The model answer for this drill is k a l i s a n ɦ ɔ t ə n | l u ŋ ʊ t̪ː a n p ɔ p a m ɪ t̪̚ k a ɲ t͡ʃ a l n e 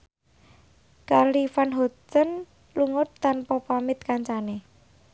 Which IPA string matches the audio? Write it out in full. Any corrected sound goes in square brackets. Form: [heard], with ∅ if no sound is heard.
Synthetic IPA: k a l i [f] a n ɦ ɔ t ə n | l u ŋ ʊ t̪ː a n p ɔ p a m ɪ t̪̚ k a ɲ t͡ʃ a [∅] n e